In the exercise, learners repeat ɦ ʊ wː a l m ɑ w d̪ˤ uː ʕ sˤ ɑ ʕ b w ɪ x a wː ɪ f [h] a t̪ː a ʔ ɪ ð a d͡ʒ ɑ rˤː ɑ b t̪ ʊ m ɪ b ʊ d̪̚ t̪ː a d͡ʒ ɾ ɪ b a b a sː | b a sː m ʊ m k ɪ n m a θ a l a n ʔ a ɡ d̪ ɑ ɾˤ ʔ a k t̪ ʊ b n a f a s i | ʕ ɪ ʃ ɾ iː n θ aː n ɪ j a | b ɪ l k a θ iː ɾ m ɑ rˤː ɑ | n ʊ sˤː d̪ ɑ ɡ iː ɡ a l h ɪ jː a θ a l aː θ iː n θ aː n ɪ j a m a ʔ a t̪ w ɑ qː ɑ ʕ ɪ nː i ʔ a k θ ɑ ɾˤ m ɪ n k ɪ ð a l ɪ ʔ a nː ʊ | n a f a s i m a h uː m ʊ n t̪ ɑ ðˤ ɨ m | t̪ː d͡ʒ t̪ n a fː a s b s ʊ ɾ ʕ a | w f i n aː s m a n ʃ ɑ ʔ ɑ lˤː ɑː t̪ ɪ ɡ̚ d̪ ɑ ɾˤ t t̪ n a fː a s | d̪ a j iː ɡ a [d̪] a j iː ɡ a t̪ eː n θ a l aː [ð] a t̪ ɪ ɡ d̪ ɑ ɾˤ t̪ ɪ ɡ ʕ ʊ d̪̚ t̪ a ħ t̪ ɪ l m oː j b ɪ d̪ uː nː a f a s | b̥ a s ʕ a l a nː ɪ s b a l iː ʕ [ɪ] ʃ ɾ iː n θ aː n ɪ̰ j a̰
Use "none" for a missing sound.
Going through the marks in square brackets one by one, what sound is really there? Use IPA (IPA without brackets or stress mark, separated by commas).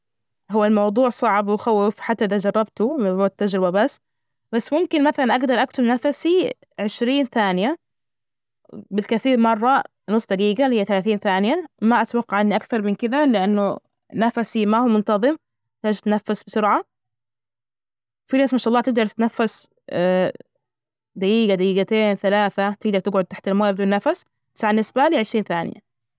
ħ, d̪, θ, ɪ